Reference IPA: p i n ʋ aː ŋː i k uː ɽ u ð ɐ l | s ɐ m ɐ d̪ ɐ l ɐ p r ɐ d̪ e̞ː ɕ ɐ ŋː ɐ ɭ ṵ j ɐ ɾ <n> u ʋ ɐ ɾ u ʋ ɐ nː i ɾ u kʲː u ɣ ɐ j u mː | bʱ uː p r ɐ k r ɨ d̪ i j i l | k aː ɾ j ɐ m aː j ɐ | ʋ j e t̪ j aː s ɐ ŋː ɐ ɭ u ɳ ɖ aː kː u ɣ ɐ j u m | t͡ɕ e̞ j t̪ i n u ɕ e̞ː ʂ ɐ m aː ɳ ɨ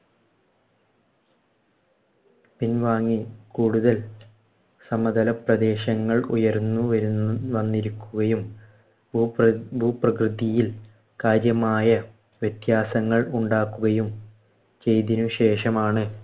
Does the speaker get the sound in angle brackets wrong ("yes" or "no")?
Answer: yes